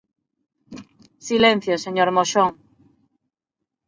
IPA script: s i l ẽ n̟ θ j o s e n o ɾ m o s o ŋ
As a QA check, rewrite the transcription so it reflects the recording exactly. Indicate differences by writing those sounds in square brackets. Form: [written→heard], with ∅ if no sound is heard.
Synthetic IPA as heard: s i l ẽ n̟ θ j o s e [n→ɲ] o ɾ m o [s→ʃ] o ŋ